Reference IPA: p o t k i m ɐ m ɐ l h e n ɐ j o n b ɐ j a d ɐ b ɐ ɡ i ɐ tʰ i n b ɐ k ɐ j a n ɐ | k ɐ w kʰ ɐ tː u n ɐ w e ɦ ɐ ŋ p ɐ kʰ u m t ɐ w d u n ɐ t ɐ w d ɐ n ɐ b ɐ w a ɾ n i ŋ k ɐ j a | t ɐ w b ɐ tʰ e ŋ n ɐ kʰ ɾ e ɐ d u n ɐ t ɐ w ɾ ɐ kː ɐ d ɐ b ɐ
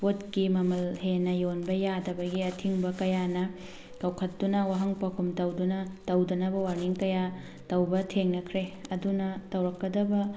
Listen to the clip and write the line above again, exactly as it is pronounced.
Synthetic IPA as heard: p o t k i m ɐ m ɐ l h e n ɐ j o n b ɐ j a d ɐ b ɐ ɡ i ɐ tʰ i ŋ b ɐ k ɐ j a n ɐ | k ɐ w kʰ ɐ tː u n ɐ w a ɦ ɐ ŋ p ɐ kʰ u m t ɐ w d u n ɐ t ɐ w d ɐ n ɐ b ɐ w a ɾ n i ŋ k ɐ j a | t ɐ w b ɐ tʰ e ŋ n ɐ kʰ ɾ e ɐ d u n ɐ t ɐ w ɾ ɐ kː ɐ d ɐ b ɐ